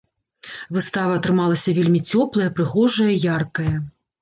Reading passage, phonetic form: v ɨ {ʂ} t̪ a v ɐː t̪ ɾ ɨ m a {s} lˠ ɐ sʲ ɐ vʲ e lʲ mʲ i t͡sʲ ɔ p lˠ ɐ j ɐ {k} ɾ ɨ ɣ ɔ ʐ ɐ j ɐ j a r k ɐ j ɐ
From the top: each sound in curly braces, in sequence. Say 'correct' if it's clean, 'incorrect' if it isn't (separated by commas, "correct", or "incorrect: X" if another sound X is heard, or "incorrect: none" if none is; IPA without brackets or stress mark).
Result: incorrect: s, incorrect: none, incorrect: p